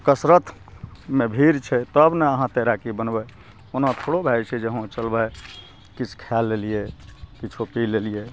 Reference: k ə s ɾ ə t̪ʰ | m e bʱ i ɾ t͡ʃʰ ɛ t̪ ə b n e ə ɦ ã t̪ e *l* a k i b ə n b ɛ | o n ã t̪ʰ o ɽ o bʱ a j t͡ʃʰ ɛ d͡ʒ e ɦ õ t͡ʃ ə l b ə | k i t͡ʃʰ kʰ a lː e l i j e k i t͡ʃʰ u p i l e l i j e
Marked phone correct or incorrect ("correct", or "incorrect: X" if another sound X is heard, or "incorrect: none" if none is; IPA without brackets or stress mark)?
incorrect: ɾ